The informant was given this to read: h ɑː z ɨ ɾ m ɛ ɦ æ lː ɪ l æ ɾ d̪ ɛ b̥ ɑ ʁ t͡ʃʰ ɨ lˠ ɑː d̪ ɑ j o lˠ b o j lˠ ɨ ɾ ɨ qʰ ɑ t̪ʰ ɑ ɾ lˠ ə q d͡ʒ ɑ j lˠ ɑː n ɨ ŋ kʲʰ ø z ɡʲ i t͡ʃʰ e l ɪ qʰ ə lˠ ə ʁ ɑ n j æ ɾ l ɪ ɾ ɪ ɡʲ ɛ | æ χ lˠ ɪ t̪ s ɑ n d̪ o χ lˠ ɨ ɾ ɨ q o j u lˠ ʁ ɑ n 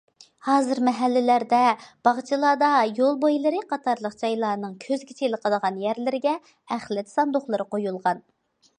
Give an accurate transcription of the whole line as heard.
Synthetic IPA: h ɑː z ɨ ɾ m ɛ ɦ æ lː ɪ l æ ɾ d̪ ɛ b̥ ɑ ʁ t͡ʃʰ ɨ lˠ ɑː d̪ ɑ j o lˠ b o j lˠ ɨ ɾ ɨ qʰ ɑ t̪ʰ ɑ ɾ lˠ ə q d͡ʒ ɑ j lˠ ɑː n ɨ ŋ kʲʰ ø z ɡʲ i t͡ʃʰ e l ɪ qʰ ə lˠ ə ʁ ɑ n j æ ɾ l ɪ ɾ ɪ ɡʲ ɛ | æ χ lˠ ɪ t̪ s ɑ n d̪ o χ lˠ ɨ ɾ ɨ q o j u lˠ ʁ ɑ n